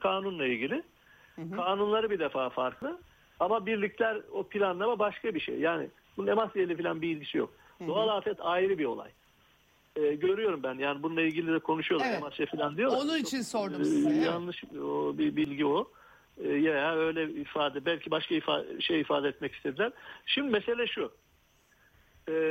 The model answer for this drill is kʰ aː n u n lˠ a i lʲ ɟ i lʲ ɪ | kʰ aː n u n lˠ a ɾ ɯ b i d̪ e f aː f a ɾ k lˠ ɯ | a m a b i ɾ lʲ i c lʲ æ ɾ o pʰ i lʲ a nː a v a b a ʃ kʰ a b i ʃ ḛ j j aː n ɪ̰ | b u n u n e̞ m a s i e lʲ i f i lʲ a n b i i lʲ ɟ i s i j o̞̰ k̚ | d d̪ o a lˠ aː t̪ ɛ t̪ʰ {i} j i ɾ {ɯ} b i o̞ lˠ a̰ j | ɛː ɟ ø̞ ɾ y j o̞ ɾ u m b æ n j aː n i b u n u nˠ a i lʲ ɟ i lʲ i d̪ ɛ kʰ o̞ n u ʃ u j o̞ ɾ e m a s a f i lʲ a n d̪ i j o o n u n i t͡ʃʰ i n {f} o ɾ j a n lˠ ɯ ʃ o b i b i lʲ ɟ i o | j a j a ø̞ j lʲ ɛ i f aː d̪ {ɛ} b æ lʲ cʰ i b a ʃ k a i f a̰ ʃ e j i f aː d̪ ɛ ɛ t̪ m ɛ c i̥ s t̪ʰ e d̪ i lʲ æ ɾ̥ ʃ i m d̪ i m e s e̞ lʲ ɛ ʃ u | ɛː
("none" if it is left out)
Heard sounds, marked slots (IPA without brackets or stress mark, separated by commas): a, ɯ, s, ɛ